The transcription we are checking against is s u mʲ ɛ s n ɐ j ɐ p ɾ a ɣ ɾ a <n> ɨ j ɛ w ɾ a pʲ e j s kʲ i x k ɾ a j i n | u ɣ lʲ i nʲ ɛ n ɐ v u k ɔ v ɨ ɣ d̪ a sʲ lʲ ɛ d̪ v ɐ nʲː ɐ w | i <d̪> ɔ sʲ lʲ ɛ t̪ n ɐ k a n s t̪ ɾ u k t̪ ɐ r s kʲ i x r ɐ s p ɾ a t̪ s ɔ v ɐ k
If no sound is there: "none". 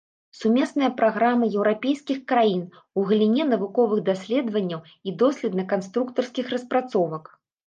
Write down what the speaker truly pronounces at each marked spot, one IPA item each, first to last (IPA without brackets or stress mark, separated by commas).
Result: m, d̪